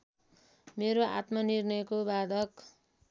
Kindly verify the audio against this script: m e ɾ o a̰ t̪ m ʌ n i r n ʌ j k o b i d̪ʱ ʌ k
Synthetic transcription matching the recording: m e ɾ o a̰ t̪ m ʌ n i r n ʌ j k o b a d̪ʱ ʌ k